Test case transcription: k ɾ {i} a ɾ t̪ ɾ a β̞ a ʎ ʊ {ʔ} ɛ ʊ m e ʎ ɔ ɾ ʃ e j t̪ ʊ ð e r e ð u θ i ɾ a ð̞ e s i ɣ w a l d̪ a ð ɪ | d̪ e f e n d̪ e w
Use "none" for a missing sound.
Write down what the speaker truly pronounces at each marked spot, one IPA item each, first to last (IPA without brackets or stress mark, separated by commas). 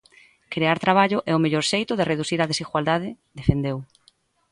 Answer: e, ʔ